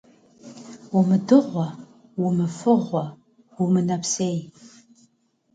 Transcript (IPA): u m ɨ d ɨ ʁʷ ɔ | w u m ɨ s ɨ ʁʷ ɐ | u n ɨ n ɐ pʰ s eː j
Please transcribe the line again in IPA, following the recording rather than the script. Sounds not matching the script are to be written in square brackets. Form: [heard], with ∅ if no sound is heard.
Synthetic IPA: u m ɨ d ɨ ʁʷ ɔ | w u m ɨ [f] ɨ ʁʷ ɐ | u [m] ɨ n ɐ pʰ s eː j